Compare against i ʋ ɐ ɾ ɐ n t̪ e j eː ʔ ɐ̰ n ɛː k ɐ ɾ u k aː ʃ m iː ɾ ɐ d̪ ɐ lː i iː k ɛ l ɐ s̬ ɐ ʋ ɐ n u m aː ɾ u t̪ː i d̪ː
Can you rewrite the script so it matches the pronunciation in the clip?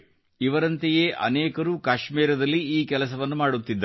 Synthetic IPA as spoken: i ʋ ɐ ɾ ɐ n t̪ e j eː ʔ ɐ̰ n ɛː k ɐ ɾ uː k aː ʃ m iː ɾ ɐ d̪ ɐ lː i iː k ɛ l ɐ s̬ ɐ ʋ ɐ nː u m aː ɽ u t̪ː i d̪ː

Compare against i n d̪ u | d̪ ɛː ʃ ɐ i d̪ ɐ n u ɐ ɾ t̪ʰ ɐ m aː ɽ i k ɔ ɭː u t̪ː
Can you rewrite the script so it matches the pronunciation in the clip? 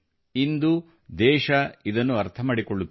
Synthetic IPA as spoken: i n d̪ u | d̪ ɛː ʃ ɐ i d̪ ɐ nː u ɐ ɾ t̪ʰ ɐ m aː ɽ i k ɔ ɭː u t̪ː

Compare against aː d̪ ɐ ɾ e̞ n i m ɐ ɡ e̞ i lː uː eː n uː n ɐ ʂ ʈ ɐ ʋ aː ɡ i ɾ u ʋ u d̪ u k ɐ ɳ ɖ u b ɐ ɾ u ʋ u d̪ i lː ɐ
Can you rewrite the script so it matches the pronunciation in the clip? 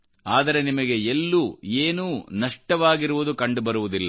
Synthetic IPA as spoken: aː d̪ ɐ ɾ e̞ n i m ɐ ɡ e̞ e lː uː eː n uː n ɐ ʂ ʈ ɐ ʋ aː ɡ i ɾ u ʋ u d̪ u k ɐ ɳ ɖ u b ɐ ɾ u ʋ u d̪ i lː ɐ

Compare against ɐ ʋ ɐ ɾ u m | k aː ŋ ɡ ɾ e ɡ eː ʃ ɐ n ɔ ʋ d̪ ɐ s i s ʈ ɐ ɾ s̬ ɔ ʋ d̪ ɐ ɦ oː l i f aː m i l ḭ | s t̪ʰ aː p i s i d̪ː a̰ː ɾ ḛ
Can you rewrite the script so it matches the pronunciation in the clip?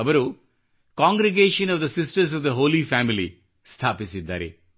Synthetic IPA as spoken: ɐ ʋ ɐ ɾ u | k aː ŋ ɡ ɾ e ɡ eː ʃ ɐ n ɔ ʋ d̪ ɐ s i s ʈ ɐ ɾ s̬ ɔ ʋ d̪ ɐ ɦ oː l i f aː m i l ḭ | s t̪ʰ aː p i s i d̪ː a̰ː ɾ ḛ

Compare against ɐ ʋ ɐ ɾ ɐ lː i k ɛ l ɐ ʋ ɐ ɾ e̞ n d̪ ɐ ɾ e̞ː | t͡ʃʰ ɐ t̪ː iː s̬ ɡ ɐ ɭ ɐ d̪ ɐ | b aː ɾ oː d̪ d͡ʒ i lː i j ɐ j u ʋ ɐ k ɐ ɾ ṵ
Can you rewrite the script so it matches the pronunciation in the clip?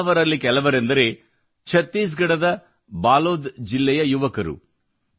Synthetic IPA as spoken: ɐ ʋ ɐ ɾ ɐ lː i k ɛ l ɐ ʋ ɐ ɾ e̞ n d̪ ɐ ɾ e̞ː | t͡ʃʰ ɐ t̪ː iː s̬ ɡ ɐ ɽ ɐ d̪ ɐ | b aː l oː d̪ d͡ʒ i lː ɛ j ɐ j u ʋ ɐ k ɐ ɾ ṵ

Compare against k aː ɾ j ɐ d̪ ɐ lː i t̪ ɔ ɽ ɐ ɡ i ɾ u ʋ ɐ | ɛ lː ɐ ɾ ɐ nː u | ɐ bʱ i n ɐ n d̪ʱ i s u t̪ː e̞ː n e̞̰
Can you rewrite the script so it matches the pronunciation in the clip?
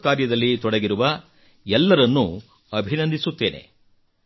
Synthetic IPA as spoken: k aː ɾ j ɐ d̪ ɐ lː i t̪ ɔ ɽ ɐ ɡ i ɾ u ʋ ɐ | ɛ lː ɐ ɾ ɐ nː u | ɐ bʱ i n ɐ n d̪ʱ i s u t̪ː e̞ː n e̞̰

